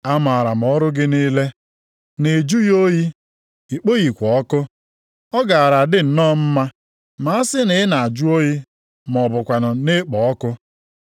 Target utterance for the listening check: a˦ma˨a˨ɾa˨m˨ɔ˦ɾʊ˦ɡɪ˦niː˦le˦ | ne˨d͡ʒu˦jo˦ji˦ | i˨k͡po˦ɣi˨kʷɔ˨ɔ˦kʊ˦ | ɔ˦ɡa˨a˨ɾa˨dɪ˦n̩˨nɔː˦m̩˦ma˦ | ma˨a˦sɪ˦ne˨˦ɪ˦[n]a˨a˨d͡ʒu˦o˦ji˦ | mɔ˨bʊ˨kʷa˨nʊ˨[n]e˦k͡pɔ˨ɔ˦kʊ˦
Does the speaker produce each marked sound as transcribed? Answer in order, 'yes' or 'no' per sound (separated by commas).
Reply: yes, yes